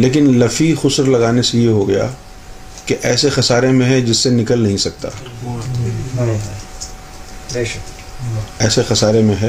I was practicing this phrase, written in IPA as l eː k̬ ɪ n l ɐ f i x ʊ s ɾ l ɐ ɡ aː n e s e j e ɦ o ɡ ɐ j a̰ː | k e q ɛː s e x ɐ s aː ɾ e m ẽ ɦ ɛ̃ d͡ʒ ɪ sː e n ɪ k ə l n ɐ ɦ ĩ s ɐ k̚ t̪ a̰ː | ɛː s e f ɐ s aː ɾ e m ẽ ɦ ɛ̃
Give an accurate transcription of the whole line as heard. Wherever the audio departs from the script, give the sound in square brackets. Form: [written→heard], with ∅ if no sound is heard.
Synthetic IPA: l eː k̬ ɪ n l ɐ f i x ʊ s ɾ l ɐ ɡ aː n e s e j e ɦ o ɡ ɐ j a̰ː | k e [q→ʔ] ɛː s e x ɐ s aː ɾ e m ẽ ɦ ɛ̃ d͡ʒ ɪ sː e n ɪ k ə l n ɐ ɦ ĩ s ɐ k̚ t̪ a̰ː | ɛː s e [f→x] ɐ s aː ɾ e m ẽ ɦ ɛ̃